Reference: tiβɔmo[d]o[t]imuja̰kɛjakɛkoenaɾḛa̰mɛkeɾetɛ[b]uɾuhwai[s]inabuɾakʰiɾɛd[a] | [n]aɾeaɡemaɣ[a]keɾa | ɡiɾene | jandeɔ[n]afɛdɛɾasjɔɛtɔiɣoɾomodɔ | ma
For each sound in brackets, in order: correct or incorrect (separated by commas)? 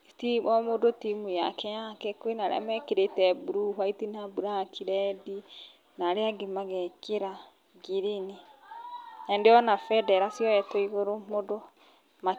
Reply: correct, correct, correct, incorrect, incorrect, correct, incorrect, correct